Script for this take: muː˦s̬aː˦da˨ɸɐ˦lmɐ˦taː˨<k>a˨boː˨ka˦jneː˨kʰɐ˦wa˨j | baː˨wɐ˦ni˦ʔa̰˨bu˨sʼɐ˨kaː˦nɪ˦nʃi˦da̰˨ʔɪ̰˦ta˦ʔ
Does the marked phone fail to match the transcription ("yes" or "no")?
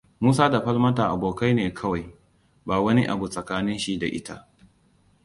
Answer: yes